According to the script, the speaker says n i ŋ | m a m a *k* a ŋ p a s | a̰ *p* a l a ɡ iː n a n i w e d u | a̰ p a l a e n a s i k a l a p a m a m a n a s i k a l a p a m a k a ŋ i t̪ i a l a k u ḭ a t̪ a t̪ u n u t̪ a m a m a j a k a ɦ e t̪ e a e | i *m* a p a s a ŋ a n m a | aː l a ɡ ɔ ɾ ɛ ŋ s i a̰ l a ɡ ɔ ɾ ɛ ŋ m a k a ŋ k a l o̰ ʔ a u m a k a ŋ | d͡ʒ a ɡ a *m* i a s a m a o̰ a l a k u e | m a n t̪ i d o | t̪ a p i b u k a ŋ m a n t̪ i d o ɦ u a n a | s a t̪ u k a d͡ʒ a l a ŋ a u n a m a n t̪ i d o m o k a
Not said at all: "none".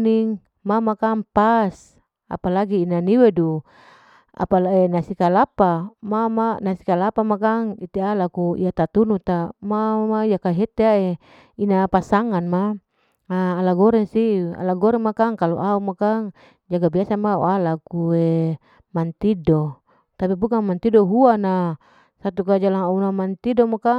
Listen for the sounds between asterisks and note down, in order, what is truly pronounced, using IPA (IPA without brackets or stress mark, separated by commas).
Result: k, p, n, b